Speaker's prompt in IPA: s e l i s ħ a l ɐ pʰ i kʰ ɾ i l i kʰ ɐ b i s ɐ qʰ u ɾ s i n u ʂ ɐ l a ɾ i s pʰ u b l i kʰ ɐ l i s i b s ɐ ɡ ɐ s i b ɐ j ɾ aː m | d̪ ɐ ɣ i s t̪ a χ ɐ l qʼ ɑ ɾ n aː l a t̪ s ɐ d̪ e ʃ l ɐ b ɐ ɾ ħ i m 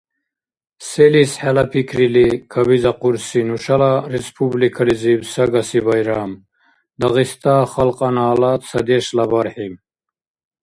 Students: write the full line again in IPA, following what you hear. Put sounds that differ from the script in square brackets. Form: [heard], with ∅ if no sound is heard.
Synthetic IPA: s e l i s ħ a l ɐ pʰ i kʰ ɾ i l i kʰ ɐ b i [z] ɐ [q] u ɾ s i n u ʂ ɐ l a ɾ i s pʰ u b l i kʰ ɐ l i [z] i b s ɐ ɡ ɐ s i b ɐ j ɾ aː m | d̪ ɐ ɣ i s t̪ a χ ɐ l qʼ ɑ [∅] n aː l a t̪ s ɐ d̪ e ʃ l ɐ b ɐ ɾ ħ i m

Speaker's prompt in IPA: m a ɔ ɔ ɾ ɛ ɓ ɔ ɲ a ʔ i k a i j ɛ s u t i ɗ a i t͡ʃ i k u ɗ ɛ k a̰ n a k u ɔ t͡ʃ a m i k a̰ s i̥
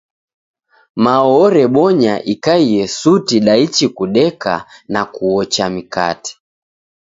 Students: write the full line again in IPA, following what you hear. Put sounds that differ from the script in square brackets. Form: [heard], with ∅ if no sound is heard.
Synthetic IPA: m a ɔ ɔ ɾ ɛ ɓ ɔ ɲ a ʔ i k a i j ɛ s u t i ɗ a i t͡ʃ i k u ɗ ɛ k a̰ n a k u ɔ t͡ʃ a m i k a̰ [t] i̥

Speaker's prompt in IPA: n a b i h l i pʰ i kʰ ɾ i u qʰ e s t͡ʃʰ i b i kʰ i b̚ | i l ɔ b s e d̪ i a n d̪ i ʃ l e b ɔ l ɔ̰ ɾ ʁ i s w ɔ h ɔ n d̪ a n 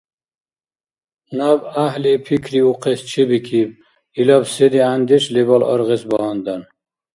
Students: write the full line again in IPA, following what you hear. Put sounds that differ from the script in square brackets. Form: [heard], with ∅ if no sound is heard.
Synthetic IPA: n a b [a] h l i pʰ i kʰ ɾ i u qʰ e s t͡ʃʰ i b i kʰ i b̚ | i l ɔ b s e d̪ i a n d̪ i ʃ l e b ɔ l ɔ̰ ɾ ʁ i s [b] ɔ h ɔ n d̪ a n

